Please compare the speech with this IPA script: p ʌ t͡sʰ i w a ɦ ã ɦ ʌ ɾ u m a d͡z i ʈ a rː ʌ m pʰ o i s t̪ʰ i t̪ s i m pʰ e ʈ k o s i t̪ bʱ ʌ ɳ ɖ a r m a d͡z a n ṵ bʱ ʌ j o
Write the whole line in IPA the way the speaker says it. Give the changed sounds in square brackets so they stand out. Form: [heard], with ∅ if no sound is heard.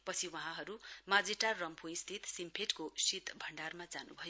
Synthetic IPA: p ʌ t͡sʰ i w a ɦ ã ɦ ʌ ɾ u m a d͡z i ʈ a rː ʌ m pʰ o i s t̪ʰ i t̪ s i m pʰ e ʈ k o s i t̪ bʱ ʌ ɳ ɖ a r m a d͡z a n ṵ bʱ ʌ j o

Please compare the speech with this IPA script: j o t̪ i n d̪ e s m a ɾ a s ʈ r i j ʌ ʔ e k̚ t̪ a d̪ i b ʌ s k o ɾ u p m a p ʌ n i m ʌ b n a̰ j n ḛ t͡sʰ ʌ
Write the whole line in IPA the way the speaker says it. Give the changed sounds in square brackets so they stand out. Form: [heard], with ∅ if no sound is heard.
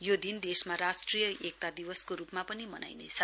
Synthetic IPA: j o [d̪] i n d̪ e s m a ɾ a s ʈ r i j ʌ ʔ e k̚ t̪ a d̪ i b ʌ s k o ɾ u p m a p ʌ n i m ʌ [∅] n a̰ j n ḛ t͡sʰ ʌ

